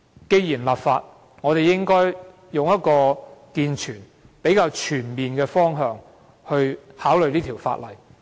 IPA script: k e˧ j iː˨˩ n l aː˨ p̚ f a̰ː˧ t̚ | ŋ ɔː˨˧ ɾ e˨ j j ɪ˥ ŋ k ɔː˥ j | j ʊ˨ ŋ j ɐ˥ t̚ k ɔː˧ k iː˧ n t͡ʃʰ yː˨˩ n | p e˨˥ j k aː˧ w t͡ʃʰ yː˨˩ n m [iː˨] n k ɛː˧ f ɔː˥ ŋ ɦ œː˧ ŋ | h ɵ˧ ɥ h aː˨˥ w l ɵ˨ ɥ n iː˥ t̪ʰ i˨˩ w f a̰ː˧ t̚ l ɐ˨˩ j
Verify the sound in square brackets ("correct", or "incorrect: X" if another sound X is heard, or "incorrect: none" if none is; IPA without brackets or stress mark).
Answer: correct